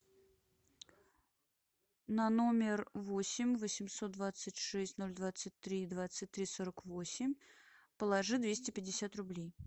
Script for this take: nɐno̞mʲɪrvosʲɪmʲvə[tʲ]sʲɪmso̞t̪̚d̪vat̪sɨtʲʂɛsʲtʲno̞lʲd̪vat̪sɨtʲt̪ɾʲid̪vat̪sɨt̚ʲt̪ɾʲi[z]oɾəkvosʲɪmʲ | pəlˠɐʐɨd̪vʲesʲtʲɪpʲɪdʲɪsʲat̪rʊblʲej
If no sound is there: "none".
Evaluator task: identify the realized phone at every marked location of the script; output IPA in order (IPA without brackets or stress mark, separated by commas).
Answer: none, s